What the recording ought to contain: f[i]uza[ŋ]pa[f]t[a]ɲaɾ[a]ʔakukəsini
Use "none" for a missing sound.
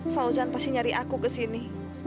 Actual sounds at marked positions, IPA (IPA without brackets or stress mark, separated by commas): a, n, s, i, i